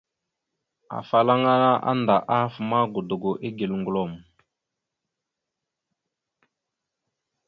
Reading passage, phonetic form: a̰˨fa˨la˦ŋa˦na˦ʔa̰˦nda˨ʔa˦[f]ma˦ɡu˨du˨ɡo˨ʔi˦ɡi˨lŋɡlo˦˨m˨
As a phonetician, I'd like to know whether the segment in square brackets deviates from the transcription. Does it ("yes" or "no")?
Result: no